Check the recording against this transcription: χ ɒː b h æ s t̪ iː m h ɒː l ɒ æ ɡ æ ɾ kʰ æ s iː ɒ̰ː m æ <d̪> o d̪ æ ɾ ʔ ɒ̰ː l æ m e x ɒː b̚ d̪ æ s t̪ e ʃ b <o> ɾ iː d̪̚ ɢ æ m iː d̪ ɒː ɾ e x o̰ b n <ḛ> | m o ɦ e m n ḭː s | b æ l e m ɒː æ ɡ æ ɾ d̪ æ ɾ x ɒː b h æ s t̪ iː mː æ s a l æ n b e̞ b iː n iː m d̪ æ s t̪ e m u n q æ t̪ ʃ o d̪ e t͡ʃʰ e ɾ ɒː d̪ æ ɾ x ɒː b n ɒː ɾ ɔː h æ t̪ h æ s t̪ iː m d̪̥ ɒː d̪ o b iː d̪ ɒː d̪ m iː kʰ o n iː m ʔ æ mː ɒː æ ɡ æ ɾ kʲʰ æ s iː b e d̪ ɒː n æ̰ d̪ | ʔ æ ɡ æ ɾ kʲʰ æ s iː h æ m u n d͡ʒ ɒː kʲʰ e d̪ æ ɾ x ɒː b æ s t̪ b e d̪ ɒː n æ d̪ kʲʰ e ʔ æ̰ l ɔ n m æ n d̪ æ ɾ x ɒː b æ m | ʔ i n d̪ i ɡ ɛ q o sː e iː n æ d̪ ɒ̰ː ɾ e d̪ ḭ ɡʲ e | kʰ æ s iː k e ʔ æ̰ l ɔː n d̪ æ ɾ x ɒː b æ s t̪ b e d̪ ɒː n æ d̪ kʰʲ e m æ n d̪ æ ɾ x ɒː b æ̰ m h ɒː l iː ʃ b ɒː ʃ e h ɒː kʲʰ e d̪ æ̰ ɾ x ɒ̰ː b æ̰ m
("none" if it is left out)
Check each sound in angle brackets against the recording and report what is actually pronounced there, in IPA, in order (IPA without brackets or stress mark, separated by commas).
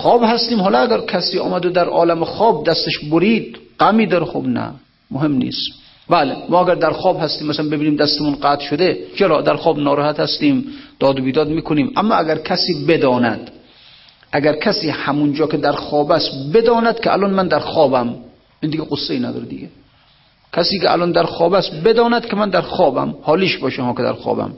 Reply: d̪, o, æ̰